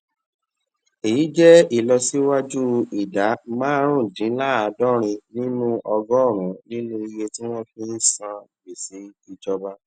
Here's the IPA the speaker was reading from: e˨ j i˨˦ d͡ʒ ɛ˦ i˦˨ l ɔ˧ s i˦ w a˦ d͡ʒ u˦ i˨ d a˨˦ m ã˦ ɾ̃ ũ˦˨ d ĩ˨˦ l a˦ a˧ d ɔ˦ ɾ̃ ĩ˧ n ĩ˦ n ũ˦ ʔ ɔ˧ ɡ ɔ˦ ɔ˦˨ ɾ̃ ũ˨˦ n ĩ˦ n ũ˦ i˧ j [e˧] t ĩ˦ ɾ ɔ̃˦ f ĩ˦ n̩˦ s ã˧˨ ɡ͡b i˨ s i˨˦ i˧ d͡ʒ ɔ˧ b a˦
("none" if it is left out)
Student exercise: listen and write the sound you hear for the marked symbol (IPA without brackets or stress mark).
e˧